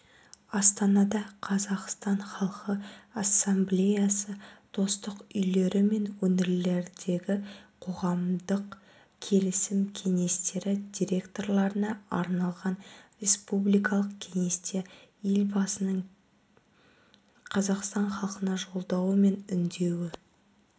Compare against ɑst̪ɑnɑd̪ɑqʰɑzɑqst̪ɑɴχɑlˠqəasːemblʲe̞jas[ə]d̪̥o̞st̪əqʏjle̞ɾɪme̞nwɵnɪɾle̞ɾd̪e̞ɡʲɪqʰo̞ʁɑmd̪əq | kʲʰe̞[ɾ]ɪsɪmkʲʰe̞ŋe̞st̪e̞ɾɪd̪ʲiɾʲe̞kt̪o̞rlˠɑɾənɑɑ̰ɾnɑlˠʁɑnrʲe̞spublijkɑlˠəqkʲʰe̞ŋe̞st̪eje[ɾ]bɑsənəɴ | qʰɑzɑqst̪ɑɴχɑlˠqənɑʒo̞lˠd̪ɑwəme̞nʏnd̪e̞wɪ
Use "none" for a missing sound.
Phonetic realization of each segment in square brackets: ə, l, l

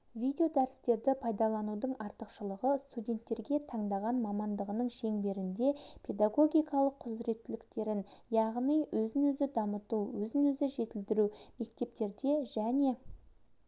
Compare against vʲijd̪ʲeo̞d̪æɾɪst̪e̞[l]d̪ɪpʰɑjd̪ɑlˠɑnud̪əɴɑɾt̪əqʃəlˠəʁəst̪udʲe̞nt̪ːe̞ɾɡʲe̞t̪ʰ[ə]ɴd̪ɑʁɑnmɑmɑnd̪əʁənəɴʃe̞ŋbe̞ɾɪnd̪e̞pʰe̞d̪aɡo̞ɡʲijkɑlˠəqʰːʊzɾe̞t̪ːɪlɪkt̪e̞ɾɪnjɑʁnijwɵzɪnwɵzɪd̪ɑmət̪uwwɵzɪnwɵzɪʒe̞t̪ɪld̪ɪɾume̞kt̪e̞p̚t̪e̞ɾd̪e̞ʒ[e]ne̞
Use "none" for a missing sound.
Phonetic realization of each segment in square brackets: ɾ, ɑ, æ

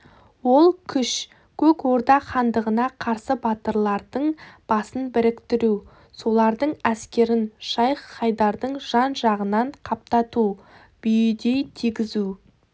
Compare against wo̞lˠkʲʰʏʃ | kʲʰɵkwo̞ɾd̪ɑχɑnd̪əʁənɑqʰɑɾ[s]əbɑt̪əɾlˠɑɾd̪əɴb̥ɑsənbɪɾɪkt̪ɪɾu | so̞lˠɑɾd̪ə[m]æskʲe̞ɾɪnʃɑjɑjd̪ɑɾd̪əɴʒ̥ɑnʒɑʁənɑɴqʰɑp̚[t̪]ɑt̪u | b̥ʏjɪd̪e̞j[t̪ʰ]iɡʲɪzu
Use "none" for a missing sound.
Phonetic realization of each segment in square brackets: s, ɴ, t̪, t̪ʰ

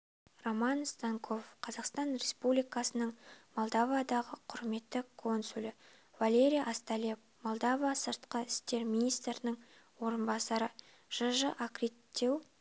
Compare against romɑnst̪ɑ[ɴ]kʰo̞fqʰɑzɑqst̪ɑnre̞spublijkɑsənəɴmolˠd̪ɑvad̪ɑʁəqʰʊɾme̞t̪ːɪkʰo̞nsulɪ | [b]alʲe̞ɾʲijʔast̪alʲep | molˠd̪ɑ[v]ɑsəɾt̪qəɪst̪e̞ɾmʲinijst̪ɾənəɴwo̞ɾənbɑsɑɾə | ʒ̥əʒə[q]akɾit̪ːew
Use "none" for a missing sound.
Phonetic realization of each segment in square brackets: ŋ, v, v, ʔ

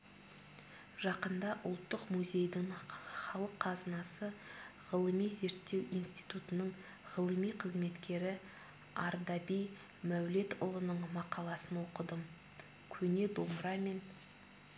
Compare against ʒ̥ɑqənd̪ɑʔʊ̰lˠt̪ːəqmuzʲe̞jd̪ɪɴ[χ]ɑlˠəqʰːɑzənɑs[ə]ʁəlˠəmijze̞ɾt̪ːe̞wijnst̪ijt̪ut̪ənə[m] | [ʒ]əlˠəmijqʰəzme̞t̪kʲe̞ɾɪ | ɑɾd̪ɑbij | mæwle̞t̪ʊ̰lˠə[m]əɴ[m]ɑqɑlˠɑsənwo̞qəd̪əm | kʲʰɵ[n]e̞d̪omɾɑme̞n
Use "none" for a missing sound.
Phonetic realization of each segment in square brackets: χ, ə, ɴ, ʁ, n, m, n

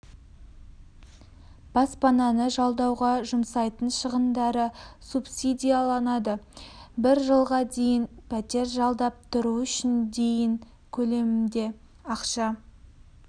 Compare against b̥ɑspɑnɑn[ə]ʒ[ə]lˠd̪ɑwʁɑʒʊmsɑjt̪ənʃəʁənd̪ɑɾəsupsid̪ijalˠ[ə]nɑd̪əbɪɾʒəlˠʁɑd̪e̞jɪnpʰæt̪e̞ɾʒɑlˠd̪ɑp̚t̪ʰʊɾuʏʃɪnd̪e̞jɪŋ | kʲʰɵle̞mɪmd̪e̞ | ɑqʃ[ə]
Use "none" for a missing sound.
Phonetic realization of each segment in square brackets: ə, ɑ, ɑ, ɑ

